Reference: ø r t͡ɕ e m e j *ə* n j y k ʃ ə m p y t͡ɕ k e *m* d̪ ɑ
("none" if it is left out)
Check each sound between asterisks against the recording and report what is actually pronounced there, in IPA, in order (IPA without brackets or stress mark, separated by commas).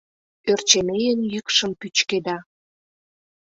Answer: ə, none